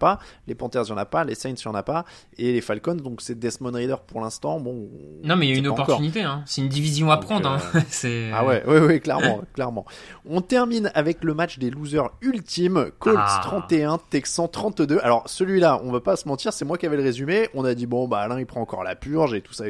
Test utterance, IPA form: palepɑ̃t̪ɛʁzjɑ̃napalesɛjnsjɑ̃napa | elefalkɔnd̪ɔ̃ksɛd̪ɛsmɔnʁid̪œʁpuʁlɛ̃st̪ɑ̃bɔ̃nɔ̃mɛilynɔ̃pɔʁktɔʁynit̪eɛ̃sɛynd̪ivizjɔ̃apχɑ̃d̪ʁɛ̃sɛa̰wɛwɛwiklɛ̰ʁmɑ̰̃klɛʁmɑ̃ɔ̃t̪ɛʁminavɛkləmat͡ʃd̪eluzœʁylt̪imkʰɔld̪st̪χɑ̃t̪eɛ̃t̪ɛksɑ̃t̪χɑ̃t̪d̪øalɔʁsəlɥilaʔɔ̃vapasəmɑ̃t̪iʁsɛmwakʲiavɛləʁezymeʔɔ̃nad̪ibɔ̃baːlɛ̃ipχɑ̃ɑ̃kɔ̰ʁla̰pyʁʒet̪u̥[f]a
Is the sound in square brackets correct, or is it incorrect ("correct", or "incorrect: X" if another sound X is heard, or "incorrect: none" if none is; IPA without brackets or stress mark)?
incorrect: s